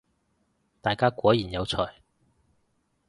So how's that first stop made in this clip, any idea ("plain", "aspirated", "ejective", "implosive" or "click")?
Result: plain